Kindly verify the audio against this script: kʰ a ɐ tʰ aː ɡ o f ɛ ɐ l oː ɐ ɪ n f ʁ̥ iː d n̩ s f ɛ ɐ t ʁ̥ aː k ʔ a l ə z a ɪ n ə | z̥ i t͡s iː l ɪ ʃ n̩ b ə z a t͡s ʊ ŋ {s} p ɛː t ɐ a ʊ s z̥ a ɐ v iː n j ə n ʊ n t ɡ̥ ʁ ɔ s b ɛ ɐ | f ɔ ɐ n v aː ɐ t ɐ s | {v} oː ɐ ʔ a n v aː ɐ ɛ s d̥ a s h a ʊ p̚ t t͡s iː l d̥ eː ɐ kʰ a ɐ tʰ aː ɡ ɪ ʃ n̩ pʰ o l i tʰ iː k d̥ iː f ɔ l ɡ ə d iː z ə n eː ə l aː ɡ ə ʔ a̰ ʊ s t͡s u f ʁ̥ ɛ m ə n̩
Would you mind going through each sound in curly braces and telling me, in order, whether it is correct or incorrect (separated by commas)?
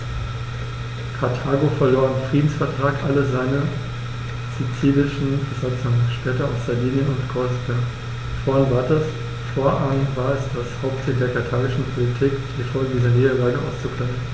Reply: incorrect, incorrect